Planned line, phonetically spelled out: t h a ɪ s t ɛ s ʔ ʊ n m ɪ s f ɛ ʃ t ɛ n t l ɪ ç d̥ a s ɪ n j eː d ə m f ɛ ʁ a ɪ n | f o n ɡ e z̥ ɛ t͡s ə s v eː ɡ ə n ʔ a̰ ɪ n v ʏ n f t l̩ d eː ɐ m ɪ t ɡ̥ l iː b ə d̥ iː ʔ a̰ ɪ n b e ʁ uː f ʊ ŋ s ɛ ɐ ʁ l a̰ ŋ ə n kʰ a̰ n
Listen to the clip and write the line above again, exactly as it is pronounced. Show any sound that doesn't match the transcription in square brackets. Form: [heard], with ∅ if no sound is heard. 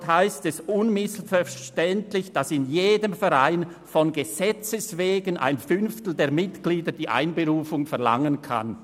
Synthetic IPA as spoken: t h a ɪ s t ɛ s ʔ ʊ n m ɪ s f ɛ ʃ t ɛ n t l ɪ ç d̥ a s ɪ n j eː d ə m f ɛ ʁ a ɪ n | f [ɔ] n ɡ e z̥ ɛ t͡s ə s v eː ɡ ə n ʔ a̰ ɪ n [f] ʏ n f t l̩ d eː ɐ m ɪ t ɡ̥ l iː [d] ə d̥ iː ʔ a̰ ɪ n b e ʁ uː f ʊ ŋ [f] ɛ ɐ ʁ l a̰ ŋ ə n kʰ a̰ n